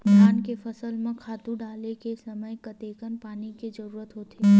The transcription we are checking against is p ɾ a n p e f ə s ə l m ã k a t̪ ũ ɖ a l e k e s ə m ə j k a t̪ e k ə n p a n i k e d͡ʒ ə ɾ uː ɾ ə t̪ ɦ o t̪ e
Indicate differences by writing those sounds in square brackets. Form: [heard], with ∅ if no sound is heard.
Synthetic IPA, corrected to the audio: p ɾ a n [k] e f ə s ə l m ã [kʰ] a t̪ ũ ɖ a l e k e s ə m ə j k [ə] t̪ e k ə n p a n i k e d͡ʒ ə ɾ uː ɾ ə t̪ ɦ o t̪ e